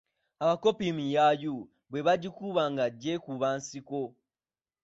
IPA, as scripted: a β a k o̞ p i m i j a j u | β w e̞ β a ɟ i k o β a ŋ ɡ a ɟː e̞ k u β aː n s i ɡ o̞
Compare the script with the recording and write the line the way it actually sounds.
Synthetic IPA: a β a k o̞ p i m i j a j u | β w e̞ β a ɟ i k u β a ŋ ɡ a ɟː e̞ k u β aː n s i k o̞